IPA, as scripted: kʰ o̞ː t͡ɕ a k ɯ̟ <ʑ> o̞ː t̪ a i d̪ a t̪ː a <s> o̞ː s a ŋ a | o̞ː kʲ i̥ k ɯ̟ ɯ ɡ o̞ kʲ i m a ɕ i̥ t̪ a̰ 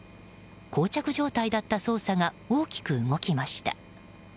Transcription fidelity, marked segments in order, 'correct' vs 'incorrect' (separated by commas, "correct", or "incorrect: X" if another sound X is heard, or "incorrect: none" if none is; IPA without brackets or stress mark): correct, correct